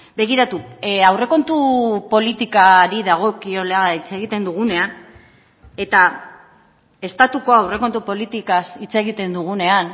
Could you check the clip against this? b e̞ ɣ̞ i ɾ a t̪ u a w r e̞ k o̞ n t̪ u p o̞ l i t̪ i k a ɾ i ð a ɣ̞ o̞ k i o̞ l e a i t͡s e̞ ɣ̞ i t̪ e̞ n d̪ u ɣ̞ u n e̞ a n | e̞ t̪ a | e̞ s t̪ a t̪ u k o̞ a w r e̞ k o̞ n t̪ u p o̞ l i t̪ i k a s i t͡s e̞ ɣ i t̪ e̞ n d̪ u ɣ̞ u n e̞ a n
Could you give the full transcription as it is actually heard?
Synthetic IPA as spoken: b e̞ ɣ̞ i ɾ a t̪ u a w r e̞ k o̞ n t̪ u p o̞ l i t̪ i k a ɾ i ð a ɣ̞ o̞ k i o̞ l e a i t͡s e̞ ɣ̞ i t̪ e̞ n d̪ u ɣ̞ u n e̞ a n | e̞ t̪ a | e̞ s t̪ a t̪ u k o̞ a w r e̞ k o̞ n t̪ u p o̞ l i t̪ i k a s i t͡s e̞ ɣ i t̪ e̞ n d̪ u ɣ̞ u n e̞ a n